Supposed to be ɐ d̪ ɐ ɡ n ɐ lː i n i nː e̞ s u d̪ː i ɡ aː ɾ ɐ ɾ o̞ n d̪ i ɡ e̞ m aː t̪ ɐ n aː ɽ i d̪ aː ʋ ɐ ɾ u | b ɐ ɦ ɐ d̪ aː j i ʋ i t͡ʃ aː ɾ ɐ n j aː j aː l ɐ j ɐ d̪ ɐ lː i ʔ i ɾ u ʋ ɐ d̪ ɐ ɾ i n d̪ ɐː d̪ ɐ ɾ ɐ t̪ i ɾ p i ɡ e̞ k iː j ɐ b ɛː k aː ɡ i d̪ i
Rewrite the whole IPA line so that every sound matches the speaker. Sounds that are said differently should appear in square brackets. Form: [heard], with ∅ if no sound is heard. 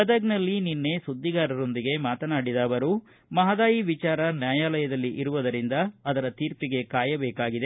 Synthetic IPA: ɐ d̪ ɐ ɡ n ɐ lː i n i nː e̞ s u d̪ː i ɡ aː ɾ ɐ ɾ o̞ n d̪ i ɡ e̞ m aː t̪ ɐ n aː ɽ i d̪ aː ʋ ɐ ɾ u | [m] ɐ ɦ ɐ d̪ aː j i ʋ i t͡ʃ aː ɾ ɐ n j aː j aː l ɐ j ɐ d̪ ɐ lː i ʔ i ɾ u ʋ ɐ d̪ ɐ ɾ i n d̪ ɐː d̪ ɐ ɾ ɐ t̪ [iː] ɾ p i ɡ e̞ k [aː] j ɐ b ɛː k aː ɡ i d̪ [e]

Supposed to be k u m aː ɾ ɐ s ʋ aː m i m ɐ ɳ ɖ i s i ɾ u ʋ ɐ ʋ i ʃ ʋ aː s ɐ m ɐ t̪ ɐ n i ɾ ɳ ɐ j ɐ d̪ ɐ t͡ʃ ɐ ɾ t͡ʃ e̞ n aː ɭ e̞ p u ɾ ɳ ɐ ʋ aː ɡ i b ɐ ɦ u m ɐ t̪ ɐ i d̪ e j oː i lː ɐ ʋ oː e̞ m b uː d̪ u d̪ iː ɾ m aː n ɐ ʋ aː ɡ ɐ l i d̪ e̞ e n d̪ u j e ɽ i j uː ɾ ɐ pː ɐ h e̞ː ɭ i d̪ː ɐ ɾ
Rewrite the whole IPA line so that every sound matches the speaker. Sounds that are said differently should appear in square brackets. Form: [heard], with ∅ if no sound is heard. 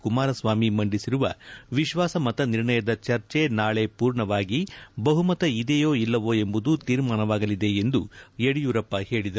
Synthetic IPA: k u m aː ɾ ɐ s ʋ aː m i m ɐ ɳ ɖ i s i ɾ u ʋ ɐ ʋ i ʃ ʋ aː s ɐ m ɐ t̪ ɐ n i ɾ ɳ ɐ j ɐ d̪ ɐ t͡ʃ ɐ ɾ t͡ʃ e̞ n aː ɭ e̞ p [uː] ɾ ɳ ɐ ʋ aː ɡ i b ɐ ɦ u m ɐ t̪ ɐ i d̪ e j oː i lː ɐ ʋ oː e̞ m b [u] d̪ u [t̪] iː ɾ m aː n ɐ ʋ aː ɡ ɐ l i d̪ e̞ e n d̪ u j e ɽ i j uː ɾ ɐ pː ɐ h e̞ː ɭ i [d̪] ɐ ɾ

